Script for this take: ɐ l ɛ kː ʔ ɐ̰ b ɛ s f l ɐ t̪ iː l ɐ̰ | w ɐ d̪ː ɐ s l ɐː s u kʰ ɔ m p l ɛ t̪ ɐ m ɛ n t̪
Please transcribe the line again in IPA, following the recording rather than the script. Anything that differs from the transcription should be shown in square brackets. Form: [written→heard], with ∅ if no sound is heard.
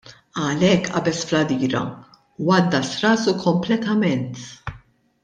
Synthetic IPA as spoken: ɐ l ɛ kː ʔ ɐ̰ b ɛ s f l ɐ [t̪→d̪] iː [l→ɾ] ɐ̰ | w ɐ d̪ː ɐ s [l→ɾ] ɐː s u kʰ ɔ m p l ɛ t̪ ɐ m ɛ n t̪